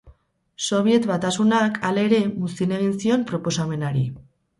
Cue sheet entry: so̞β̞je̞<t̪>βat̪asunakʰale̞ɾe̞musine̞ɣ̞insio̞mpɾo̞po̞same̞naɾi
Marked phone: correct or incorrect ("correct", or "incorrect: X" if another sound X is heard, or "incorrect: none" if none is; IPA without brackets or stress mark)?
correct